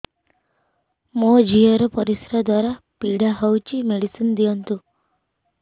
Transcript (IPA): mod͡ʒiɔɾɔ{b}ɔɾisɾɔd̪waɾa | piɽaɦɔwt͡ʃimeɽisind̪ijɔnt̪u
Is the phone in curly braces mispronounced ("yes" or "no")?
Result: yes